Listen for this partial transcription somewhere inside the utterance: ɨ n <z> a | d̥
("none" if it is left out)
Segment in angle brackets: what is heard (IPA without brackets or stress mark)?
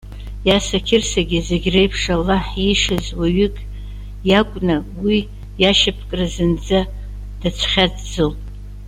d͡z